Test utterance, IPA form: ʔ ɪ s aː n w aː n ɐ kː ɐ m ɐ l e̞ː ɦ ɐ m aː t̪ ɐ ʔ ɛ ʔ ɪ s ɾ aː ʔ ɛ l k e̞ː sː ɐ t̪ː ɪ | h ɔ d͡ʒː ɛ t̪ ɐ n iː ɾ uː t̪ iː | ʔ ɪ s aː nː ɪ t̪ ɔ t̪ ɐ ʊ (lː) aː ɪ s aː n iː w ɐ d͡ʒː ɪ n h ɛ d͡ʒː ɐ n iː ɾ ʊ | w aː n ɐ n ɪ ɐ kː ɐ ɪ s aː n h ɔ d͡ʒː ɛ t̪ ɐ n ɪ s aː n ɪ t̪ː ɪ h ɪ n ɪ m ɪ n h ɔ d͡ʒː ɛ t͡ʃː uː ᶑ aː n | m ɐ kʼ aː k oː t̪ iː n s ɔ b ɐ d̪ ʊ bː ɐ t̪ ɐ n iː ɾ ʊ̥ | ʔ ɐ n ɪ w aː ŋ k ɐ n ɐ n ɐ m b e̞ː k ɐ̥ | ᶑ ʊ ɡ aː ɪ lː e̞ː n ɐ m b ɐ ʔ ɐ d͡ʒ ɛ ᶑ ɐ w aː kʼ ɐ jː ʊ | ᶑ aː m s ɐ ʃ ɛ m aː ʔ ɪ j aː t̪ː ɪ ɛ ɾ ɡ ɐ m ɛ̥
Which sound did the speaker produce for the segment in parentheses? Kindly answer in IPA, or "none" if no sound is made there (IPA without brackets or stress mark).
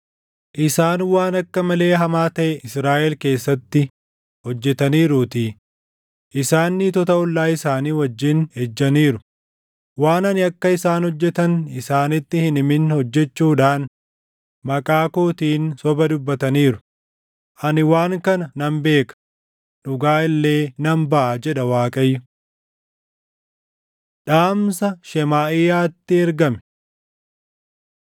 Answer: lː